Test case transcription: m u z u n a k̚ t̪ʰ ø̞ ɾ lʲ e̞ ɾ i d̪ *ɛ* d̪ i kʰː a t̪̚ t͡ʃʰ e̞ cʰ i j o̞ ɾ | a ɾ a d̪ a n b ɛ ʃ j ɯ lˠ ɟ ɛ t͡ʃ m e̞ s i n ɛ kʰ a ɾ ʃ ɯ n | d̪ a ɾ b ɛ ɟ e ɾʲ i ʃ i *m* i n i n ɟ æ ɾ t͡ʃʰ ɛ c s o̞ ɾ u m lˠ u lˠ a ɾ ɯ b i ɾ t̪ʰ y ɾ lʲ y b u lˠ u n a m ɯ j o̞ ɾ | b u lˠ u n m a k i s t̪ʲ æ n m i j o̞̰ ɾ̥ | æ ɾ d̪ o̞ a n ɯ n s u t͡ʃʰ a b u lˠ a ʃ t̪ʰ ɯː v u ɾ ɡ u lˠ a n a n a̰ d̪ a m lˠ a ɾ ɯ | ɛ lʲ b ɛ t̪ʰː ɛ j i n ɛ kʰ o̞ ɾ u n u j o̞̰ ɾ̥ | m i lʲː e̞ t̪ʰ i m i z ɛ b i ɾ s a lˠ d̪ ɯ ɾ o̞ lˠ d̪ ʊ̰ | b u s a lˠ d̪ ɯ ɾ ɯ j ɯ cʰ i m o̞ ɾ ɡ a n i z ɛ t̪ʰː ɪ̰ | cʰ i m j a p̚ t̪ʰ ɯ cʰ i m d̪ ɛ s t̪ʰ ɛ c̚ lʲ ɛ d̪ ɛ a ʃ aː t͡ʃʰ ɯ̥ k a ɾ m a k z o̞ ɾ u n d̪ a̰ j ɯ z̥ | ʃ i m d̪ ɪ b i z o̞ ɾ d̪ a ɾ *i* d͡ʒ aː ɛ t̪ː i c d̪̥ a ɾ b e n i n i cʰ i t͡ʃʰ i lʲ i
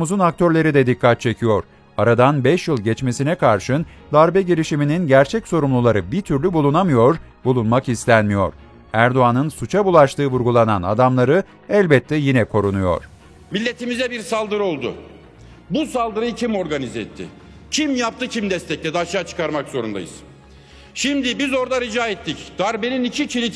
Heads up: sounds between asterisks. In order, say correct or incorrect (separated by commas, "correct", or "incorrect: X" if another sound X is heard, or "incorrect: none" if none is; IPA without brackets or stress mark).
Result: correct, correct, correct